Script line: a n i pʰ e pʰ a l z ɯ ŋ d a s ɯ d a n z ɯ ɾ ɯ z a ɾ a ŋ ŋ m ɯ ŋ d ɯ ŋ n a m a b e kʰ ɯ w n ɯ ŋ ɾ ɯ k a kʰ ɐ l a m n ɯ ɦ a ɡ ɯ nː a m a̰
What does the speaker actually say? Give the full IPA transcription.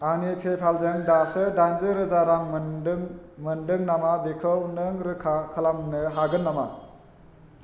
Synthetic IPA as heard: a n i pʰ e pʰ a l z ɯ ŋ d a s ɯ d a n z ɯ ɾ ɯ z a ɾ a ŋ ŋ m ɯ n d ɯ ŋ n a m a b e kʰ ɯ w n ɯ ŋ ɾ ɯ kʰ a kʰ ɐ l a m n ɯ ɦ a ɡ ɯ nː a m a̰